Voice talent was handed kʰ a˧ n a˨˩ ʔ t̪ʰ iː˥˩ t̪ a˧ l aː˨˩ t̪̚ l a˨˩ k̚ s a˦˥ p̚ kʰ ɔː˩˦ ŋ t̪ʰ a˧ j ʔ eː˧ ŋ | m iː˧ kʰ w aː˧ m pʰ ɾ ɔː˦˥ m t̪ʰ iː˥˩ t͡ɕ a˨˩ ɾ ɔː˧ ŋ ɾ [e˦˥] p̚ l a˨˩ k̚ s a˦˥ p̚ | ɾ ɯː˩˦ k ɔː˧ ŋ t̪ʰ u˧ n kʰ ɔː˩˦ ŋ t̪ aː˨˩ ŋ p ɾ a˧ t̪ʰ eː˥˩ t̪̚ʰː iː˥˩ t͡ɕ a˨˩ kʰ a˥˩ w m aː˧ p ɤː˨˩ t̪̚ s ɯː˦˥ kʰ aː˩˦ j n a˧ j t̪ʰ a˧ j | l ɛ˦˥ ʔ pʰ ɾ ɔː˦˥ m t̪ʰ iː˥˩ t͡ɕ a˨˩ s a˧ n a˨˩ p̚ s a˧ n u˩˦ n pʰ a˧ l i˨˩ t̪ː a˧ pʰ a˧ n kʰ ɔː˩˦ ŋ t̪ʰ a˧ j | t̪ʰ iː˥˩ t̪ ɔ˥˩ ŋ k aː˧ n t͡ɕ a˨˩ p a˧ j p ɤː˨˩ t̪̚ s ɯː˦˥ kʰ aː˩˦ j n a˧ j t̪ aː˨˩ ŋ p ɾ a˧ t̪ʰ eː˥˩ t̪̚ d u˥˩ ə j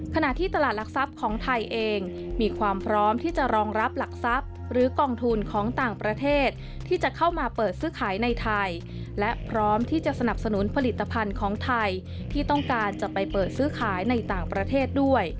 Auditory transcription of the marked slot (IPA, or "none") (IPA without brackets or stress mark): a˦˥